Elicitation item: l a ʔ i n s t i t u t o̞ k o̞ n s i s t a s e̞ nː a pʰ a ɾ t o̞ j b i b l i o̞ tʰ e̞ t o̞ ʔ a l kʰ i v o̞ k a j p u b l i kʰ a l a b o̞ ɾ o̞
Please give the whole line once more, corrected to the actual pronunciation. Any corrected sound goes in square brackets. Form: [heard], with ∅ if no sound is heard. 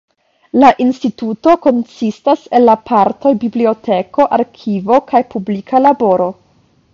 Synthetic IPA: l a ʔ i n s t i t u t o̞ k o̞ n s i s t a s e̞ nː a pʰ a ɾ t o̞ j b i b l i o̞ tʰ e̞ [k] o̞ ʔ a [ɾ] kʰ i v o̞ k a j p u b l i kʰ a l a b o̞ ɾ o̞